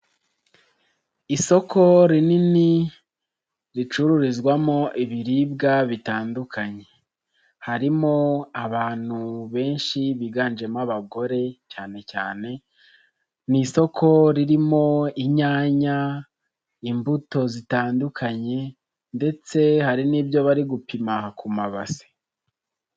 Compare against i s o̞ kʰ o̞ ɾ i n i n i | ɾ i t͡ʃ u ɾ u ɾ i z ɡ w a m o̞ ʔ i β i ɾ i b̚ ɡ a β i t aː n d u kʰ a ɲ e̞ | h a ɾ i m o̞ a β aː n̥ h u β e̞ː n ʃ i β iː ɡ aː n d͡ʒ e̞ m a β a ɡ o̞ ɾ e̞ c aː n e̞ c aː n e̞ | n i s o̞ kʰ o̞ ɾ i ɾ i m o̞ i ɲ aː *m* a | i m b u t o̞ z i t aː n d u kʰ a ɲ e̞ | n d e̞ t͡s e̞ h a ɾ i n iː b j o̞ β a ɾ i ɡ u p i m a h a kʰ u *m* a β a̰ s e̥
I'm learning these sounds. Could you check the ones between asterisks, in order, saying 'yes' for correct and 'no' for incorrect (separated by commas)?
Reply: no, yes